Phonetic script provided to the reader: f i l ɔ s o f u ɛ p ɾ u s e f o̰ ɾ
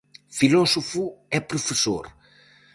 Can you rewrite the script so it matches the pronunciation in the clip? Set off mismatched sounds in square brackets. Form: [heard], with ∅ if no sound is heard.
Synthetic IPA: f i l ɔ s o f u ɛ p ɾ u [f] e [s] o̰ ɾ